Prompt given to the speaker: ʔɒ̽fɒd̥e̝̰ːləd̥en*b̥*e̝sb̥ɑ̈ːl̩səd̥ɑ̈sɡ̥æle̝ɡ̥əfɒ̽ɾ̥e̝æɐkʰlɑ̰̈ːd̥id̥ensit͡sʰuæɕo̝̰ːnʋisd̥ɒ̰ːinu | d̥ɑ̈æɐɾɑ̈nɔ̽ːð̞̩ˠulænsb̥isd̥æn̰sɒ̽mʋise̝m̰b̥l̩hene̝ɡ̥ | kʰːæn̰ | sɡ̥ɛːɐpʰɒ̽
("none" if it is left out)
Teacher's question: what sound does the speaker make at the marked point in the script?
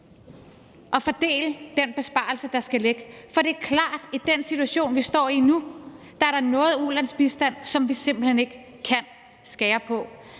b̥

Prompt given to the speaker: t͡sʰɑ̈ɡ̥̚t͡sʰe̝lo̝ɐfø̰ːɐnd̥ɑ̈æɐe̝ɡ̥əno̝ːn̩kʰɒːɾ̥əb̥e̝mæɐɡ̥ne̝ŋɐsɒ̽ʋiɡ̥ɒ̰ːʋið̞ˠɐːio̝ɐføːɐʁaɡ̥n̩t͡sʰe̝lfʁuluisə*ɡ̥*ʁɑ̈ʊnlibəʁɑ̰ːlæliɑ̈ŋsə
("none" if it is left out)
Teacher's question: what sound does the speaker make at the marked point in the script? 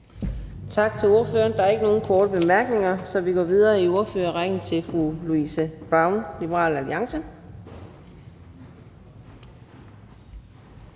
b̥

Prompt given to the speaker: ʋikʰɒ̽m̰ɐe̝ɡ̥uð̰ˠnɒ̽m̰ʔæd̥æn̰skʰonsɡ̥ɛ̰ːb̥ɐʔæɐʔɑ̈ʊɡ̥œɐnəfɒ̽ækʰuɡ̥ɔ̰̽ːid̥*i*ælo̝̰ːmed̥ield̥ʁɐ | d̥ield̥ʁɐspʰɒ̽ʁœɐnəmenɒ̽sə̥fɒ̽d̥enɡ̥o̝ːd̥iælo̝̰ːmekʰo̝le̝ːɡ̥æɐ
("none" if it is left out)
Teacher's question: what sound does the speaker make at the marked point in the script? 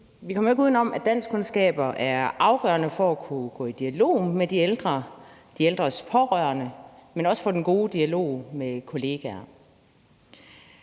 i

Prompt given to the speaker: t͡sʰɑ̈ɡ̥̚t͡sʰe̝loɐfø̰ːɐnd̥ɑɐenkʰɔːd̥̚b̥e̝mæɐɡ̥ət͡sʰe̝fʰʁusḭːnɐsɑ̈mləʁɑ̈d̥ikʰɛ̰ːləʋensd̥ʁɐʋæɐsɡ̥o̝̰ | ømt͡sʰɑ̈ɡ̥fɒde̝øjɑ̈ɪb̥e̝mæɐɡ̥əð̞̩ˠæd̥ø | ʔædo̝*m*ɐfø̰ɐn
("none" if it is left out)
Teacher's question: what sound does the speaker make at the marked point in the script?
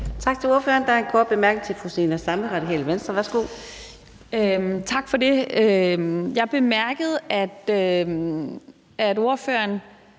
none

